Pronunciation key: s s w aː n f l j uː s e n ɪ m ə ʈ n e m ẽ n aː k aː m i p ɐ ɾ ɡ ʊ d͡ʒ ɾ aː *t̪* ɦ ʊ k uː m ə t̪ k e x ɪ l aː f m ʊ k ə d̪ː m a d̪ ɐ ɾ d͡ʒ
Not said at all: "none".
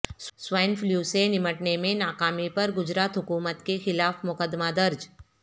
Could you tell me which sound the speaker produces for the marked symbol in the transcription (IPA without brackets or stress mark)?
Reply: t̪